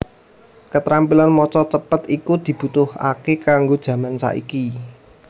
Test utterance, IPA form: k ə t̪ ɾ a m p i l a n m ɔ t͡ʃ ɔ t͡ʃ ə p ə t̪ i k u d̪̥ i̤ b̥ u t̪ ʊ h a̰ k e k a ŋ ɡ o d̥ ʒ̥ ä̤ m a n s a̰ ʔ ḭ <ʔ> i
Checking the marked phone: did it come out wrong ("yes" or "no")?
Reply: yes